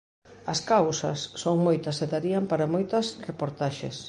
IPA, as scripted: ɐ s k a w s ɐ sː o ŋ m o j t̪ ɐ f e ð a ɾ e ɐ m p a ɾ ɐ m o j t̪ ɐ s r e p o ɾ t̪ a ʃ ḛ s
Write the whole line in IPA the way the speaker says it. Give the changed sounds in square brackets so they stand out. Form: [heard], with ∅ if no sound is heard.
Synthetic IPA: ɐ s k a w s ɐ sː o ŋ m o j t̪ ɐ [s] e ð a ɾ [i] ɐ m p a ɾ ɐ m o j t̪ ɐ s r e p o ɾ t̪ a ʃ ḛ s